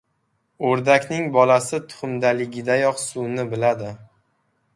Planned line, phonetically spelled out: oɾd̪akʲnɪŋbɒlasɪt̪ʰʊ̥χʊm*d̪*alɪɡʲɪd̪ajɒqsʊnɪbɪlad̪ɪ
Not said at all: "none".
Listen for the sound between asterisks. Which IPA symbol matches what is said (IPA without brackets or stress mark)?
d̪